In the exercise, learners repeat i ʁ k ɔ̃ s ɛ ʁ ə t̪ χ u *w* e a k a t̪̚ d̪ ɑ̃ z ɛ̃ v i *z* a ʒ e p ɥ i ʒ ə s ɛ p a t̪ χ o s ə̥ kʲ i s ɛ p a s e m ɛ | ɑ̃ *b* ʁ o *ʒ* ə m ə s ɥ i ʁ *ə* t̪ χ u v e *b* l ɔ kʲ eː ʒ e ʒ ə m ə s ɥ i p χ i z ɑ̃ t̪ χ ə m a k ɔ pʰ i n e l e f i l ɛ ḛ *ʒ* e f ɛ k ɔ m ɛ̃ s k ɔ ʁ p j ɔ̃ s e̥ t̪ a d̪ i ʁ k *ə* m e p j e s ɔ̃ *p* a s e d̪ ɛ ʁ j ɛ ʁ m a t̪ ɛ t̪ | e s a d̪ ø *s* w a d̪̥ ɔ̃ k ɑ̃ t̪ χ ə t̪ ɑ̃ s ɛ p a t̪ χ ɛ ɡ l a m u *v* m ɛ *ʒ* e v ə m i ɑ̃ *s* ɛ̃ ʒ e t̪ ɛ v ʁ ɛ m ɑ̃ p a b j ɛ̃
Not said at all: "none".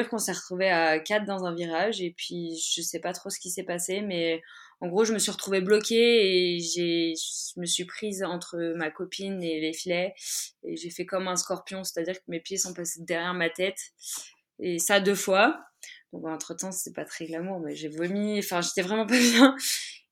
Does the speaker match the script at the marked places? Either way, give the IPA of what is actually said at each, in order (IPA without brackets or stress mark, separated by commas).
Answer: v, ʁ, ɡ, ʒ, ə, b, ʒ, ə, p, f, ʁ, ʒ, f